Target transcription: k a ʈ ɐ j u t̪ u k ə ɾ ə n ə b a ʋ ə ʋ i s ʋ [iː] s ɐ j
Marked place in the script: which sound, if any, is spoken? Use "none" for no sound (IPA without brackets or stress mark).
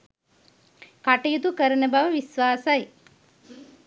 aː